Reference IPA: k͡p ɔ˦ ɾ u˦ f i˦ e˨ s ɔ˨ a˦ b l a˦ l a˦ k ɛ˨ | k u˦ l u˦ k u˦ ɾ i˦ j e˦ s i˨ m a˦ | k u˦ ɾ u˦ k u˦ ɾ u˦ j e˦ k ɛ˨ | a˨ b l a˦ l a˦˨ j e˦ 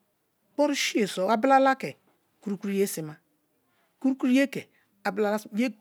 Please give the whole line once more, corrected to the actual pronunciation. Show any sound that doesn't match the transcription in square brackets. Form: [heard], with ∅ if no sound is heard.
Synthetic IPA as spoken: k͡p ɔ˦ ɾ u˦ [ʃ] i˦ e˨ s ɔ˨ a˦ b l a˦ l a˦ k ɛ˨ | k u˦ [ɾ] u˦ k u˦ ɾ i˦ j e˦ s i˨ m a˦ | k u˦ ɾ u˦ k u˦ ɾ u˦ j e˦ k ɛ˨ | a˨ b l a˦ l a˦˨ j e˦